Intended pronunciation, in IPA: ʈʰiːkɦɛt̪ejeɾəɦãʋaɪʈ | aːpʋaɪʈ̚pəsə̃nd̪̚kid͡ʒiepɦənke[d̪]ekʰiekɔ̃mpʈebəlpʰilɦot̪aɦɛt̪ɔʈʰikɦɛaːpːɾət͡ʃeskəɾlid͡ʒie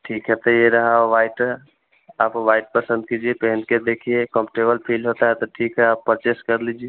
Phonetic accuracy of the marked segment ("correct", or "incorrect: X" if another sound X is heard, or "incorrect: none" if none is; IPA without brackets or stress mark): correct